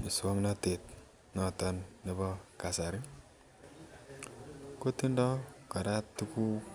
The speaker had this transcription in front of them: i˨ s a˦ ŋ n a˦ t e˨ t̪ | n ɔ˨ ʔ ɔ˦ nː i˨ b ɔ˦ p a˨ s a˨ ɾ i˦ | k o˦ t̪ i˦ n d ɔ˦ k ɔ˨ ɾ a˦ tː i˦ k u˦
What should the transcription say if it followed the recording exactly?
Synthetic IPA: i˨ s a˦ ŋ n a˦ t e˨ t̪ | n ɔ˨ t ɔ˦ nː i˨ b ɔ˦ k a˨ s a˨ ɾ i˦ | k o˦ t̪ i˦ n d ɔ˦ k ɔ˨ ɾ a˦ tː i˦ k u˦